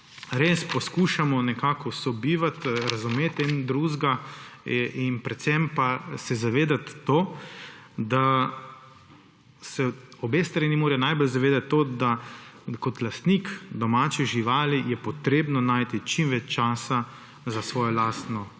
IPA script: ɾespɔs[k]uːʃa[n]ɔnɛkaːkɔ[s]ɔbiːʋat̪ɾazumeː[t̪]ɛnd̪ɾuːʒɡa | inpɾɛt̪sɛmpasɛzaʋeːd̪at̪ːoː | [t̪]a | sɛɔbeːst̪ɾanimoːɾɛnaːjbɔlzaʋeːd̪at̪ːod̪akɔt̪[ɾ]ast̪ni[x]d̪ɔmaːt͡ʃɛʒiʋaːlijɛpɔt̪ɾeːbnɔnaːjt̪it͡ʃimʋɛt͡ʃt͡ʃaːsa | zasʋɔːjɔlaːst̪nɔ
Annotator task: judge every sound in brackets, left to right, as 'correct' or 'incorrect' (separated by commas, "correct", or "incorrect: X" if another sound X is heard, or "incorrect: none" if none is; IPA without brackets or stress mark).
correct, incorrect: m, correct, correct, incorrect: d̪, incorrect: l, incorrect: k